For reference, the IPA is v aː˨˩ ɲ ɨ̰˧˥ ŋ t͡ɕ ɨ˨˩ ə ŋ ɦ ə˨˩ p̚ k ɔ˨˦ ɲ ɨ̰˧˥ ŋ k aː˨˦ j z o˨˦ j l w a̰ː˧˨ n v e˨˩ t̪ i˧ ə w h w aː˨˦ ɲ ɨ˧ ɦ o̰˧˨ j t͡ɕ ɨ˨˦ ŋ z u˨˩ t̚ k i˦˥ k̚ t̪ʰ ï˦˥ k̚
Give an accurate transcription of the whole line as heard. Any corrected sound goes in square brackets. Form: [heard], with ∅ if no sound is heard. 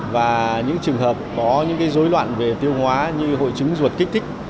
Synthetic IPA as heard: v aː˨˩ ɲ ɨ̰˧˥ ŋ t͡ɕ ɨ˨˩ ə ŋ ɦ [əː˨˩] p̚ k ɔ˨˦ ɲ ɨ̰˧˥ ŋ k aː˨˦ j z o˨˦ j l w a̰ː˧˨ n v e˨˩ t̪ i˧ ə w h w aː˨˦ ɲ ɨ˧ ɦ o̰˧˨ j t͡ɕ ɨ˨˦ ŋ z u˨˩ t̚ k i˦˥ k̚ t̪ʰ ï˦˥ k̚